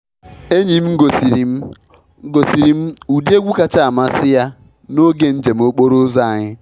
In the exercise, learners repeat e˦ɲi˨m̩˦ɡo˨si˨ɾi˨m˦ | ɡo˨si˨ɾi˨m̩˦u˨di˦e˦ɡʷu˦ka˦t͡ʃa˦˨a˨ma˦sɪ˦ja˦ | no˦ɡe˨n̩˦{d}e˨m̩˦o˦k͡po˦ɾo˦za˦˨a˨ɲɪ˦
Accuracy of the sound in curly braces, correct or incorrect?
incorrect